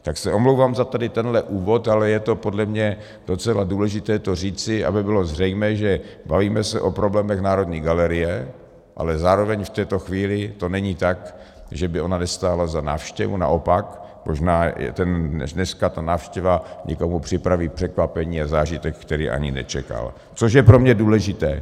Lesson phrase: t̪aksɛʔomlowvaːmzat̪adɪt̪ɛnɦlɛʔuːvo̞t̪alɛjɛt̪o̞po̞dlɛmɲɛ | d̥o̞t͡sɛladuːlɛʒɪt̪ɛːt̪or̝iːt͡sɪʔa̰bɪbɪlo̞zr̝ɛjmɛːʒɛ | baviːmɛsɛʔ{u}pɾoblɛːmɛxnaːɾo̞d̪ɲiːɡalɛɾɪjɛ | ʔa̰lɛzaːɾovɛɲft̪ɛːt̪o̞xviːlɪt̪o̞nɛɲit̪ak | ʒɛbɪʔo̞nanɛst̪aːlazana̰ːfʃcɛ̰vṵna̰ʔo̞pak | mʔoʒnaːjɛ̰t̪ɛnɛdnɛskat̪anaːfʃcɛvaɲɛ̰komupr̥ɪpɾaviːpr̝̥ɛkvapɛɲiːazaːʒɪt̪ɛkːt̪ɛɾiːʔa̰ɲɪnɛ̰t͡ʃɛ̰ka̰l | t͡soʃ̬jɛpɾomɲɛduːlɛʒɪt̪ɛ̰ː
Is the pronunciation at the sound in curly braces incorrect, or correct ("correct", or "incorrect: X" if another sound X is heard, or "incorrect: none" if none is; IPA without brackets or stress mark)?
incorrect: o